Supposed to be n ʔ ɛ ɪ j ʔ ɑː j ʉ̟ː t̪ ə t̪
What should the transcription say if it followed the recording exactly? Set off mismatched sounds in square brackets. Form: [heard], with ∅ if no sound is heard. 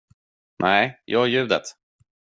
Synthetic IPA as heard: n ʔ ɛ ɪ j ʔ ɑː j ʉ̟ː [d̪] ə t̪